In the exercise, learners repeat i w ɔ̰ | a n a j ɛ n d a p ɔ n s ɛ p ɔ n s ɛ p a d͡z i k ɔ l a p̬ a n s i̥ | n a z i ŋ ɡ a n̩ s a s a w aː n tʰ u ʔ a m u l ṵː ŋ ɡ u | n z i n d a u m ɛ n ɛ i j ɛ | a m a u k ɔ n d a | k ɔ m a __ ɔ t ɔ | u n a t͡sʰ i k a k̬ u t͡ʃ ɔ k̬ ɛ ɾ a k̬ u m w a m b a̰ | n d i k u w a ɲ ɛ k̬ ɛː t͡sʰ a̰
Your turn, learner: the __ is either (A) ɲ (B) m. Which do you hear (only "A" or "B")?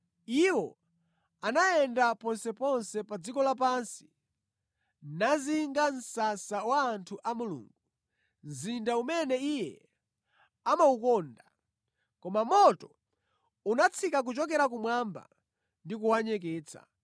B